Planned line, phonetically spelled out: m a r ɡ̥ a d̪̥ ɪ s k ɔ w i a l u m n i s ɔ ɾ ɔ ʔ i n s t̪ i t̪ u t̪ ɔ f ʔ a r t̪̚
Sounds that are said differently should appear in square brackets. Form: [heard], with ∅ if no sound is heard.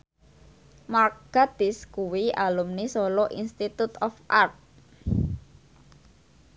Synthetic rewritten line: m a r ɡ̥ a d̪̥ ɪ s k [u] w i a l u m n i s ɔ [l] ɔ ʔ i n s t̪ i t̪ u t̪ ɔ f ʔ a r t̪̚